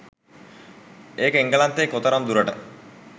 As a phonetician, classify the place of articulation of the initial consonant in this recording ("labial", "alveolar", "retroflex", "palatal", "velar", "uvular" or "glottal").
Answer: velar